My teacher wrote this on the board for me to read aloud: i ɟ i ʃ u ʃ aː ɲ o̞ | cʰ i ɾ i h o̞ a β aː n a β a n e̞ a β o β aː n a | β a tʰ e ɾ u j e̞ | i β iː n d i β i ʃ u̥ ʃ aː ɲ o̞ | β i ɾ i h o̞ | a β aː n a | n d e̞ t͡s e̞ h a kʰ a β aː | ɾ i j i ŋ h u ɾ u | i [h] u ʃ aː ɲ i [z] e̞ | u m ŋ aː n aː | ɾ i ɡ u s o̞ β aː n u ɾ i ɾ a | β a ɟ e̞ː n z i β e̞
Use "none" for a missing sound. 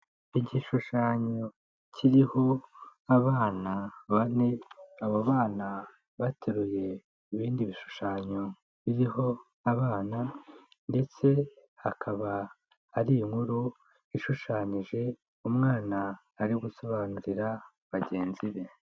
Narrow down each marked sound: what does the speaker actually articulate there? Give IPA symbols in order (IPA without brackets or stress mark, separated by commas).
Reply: ʃ, ʒ